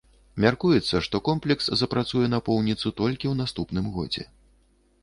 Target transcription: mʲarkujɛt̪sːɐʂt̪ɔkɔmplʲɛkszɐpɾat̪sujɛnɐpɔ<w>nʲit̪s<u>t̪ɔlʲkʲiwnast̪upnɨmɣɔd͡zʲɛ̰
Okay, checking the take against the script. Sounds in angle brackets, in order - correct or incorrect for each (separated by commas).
correct, correct